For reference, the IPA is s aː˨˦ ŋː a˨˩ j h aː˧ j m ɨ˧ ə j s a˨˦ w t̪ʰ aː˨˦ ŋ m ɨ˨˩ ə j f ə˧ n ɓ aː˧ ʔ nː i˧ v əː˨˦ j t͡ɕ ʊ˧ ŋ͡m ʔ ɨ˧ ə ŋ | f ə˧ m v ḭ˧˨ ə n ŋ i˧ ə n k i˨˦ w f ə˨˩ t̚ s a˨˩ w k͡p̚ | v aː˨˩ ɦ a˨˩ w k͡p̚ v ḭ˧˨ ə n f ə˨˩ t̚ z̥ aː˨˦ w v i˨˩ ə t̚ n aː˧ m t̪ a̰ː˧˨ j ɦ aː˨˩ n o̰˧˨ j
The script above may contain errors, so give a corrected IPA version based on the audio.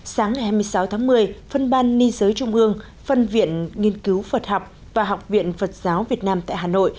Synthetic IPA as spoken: s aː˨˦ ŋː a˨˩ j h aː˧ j m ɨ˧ ə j s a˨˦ w t̪ʰ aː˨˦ ŋ m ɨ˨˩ ə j f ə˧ n ɓ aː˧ nː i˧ z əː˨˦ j t͡ɕ ʊ˧ ŋ͡m ʔ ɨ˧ ə ŋ | f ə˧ n v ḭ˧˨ ə n ŋ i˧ ə n k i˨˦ w f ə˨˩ t̚ h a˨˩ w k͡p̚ | v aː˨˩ ɦ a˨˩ w k͡p̚ v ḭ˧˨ ə n f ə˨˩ t̚ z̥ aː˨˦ w v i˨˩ ə t̚ n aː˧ m t̪ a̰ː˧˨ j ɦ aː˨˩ n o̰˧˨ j